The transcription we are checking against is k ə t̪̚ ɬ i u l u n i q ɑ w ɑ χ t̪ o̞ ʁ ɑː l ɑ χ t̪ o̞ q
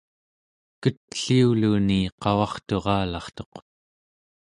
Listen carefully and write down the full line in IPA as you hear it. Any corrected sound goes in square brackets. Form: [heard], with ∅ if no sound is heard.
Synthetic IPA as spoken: k ə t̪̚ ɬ i u l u n i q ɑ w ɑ χ t̪ o̞ ʁ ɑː l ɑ χ t̪ o̞ q